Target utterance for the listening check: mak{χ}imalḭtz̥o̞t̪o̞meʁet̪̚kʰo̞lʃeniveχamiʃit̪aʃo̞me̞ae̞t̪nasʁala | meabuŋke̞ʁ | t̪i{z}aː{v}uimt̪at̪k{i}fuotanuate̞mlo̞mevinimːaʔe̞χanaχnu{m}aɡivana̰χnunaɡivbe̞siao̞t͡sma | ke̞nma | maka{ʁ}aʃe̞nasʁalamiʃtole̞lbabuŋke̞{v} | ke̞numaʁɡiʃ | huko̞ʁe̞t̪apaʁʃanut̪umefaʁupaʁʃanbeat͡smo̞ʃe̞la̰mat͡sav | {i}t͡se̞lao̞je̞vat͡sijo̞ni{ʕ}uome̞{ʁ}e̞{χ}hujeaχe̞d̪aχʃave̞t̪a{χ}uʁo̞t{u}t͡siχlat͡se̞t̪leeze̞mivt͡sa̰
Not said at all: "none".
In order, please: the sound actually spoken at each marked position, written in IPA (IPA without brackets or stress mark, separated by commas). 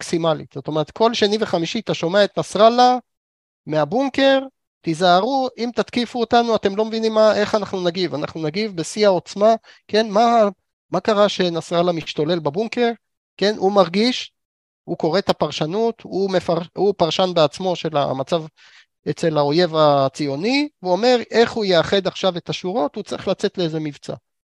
s, z, ʁ, i, n, ʁ, ʁ, e, v, ʁ, χ, ʃ, u